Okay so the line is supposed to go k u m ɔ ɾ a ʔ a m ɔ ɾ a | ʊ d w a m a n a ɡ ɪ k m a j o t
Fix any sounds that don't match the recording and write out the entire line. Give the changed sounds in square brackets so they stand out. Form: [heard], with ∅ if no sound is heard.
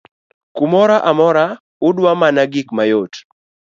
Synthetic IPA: k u m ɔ ɾ a ʔ a m ɔ ɾ a | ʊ d w a m a n a ɡ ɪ k m a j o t